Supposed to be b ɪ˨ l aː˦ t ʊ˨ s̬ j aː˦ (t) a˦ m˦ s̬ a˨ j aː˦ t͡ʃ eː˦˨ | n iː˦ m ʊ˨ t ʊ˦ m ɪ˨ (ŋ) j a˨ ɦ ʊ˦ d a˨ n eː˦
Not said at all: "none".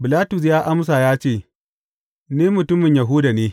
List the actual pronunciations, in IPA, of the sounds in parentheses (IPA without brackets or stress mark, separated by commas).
ʔ, ɲ